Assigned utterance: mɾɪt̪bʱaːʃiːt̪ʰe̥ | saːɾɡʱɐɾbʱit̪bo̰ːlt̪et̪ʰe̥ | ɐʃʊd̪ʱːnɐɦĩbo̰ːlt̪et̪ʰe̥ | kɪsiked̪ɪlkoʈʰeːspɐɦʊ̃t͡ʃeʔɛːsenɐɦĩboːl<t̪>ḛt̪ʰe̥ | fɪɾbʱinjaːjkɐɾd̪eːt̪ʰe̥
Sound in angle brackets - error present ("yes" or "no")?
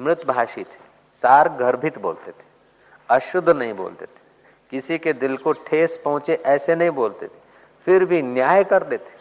no